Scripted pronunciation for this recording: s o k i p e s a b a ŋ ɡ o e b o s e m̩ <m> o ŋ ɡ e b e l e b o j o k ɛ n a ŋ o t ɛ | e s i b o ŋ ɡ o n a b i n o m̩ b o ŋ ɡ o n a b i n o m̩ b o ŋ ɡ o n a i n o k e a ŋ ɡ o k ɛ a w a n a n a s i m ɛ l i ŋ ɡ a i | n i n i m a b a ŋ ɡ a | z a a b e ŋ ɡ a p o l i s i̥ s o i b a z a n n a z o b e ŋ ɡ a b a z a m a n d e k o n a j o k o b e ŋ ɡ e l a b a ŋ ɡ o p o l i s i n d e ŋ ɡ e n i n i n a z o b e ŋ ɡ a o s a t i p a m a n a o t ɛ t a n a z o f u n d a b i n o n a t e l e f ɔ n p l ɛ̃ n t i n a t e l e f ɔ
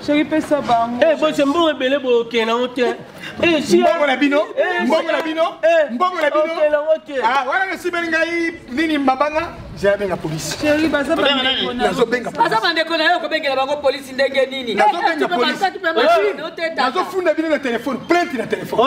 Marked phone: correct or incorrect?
incorrect